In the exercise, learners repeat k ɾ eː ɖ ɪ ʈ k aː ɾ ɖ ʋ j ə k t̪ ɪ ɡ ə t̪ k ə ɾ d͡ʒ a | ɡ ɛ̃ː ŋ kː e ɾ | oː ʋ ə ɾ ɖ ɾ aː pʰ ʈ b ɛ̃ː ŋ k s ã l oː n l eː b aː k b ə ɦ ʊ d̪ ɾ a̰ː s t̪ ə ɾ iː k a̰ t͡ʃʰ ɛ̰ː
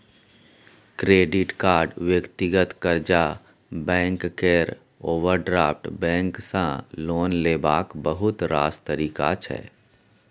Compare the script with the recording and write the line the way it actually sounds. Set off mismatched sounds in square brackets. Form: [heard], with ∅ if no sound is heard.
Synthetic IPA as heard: k ɾ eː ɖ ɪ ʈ k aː ɾ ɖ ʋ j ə k t̪ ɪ ɡ ə t̪ k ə ɾ d͡ʒ a | [b] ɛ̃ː ŋ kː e ɾ | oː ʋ ə ɾ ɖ ɾ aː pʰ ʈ b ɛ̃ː ŋ k s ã l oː n l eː b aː k b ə ɦ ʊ [t̪] ɾ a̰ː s t̪ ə ɾ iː k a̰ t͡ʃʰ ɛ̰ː